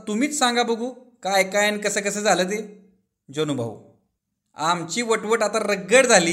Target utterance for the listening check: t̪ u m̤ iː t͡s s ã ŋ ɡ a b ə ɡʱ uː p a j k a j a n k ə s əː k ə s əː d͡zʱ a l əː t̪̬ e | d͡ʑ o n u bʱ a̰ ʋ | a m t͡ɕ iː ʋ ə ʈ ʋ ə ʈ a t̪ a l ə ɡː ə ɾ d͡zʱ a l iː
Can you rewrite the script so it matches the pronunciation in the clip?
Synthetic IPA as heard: t̪ u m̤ iː t͡s s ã ŋ ɡ a b ə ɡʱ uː k a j k a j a n k ə s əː k ə s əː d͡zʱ a l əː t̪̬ e | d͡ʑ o n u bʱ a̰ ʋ | a m t͡ɕ iː ʋ ə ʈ ʋ ə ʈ a t̪ a ɾ ə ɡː ə ɽ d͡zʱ a l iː